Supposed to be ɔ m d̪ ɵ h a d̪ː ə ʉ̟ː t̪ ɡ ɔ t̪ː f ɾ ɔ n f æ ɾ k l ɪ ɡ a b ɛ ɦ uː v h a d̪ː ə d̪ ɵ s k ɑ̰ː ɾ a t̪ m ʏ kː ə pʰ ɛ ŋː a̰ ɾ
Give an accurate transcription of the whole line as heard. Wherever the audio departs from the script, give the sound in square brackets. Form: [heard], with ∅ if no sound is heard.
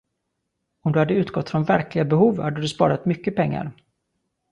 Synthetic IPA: ɔ m d̪ ɵ h a d̪ː ə ʉ̟ː t̪ ɡ ɔ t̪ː f ɾ ɔ n [v] æ ɾ k l ɪ ɡ a b ɛ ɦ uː v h a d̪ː ə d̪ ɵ s [p] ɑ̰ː ɾ a t̪ m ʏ kː ə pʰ ɛ ŋː a̰ ɾ